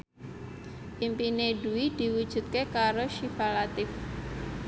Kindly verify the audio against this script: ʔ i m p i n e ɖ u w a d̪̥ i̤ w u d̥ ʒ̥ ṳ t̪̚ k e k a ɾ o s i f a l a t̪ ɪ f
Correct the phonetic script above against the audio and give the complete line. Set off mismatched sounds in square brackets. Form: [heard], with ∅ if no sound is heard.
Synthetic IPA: ʔ i m p i n e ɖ u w [i] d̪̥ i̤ w u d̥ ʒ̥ ṳ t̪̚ k e k a ɾ o [ʃ] i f a l a t̪ ɪ f